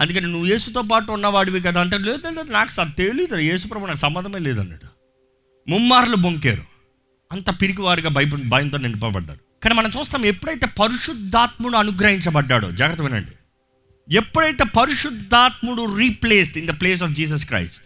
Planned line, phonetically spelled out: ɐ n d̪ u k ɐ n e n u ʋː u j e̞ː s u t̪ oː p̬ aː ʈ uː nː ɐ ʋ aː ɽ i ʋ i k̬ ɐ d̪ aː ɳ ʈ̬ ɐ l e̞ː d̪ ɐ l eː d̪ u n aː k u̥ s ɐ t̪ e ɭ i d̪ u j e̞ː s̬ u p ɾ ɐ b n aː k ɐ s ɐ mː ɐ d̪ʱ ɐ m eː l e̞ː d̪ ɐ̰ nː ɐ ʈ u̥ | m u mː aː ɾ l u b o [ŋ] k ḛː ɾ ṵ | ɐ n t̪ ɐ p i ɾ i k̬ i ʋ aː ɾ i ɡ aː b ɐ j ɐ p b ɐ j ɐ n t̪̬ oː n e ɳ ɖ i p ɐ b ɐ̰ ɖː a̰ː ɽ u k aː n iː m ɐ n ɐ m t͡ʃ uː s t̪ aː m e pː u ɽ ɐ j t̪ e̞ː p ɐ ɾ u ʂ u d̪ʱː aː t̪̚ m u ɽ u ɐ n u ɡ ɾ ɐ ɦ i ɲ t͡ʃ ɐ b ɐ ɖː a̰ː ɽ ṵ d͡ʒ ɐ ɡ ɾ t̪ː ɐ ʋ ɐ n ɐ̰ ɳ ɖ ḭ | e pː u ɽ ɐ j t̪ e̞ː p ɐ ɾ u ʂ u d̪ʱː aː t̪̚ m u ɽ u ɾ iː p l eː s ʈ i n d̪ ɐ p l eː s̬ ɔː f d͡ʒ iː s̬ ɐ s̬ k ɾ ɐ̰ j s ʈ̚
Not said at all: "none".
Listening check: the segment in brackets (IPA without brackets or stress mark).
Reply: ŋ